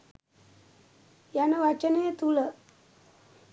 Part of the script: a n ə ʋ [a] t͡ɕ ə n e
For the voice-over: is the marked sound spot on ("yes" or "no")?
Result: yes